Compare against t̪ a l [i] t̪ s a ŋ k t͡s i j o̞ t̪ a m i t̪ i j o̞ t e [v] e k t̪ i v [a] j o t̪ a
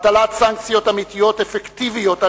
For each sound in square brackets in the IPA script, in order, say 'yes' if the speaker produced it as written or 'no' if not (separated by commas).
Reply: no, no, no